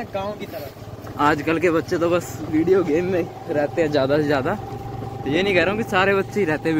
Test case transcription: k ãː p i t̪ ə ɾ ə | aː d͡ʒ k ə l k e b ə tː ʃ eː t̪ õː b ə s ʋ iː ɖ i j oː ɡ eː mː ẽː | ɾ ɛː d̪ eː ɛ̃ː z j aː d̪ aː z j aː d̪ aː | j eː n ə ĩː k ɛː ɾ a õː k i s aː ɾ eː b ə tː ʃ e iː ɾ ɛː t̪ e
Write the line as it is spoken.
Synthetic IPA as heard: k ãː k i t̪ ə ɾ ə | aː d͡ʒ k ə l k e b ə tː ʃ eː t̪ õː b ə s ʋ iː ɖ i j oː ɡ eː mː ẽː | ɾ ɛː t̪ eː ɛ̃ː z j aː d̪ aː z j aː d̪ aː | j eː n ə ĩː k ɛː ɾ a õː k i s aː ɾ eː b ə tː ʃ e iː ɾ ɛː t̪ e